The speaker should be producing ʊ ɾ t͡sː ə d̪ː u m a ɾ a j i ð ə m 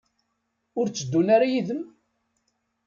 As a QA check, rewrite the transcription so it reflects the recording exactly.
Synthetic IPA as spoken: ʊ ɾ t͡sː ə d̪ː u n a ɾ a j i ð ə m